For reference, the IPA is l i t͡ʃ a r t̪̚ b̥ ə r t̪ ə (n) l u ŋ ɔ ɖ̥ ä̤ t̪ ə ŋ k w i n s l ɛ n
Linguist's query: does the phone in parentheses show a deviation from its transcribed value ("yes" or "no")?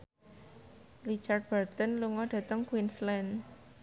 no